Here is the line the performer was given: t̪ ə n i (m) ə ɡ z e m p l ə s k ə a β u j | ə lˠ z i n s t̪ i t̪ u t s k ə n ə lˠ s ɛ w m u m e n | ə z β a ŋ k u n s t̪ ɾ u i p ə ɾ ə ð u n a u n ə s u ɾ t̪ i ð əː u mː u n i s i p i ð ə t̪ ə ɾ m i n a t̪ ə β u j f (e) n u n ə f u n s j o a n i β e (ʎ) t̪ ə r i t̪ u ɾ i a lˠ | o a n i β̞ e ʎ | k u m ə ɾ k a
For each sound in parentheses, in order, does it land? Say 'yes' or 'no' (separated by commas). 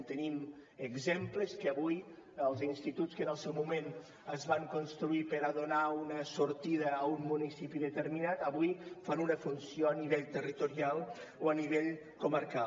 yes, no, yes